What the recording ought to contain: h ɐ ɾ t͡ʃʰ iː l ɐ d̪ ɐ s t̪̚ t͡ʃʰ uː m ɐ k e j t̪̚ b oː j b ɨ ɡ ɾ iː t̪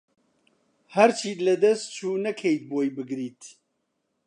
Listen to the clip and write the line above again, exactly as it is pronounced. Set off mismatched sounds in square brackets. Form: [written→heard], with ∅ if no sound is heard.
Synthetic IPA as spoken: h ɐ ɾ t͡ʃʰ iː l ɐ d̪ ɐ s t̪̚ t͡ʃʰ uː [m→n] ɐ [k→kʰ] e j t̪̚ b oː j b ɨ ɡ ɾ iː t̪